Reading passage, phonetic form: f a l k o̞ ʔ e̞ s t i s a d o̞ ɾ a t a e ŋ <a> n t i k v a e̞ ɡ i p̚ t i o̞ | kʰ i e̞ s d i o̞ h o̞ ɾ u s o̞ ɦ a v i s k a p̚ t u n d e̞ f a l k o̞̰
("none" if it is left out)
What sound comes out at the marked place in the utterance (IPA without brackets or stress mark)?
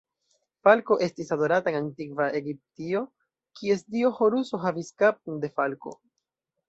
a